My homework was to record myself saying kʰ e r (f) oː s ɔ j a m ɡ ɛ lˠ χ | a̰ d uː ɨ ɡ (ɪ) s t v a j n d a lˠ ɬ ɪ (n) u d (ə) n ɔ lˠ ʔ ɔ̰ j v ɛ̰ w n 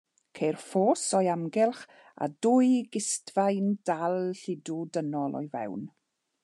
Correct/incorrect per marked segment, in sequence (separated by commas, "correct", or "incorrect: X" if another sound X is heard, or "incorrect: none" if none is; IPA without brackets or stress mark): correct, correct, incorrect: d, correct